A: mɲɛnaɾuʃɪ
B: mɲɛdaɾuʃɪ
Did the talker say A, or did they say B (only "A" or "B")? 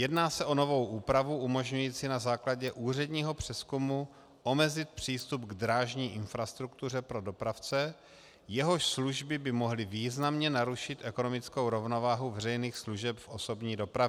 A